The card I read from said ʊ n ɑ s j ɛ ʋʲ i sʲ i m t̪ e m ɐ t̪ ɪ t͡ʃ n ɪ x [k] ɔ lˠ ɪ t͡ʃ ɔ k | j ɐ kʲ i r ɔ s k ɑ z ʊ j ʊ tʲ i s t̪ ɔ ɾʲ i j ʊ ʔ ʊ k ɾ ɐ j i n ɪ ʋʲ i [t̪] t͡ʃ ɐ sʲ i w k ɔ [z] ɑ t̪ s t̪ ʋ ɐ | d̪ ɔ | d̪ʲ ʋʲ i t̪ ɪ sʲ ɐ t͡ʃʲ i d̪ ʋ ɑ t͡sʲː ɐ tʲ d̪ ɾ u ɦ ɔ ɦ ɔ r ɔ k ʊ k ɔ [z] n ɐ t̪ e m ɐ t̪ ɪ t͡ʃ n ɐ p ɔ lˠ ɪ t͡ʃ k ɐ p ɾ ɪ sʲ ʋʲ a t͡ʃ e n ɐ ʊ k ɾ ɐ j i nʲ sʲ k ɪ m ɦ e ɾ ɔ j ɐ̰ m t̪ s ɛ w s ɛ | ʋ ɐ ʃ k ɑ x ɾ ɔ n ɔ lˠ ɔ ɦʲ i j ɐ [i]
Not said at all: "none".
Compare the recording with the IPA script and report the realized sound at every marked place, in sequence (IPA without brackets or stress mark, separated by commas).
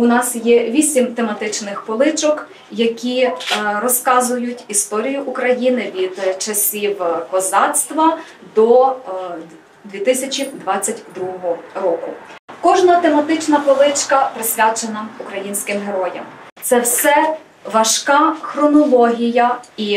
p, d̪, z, ʒ, i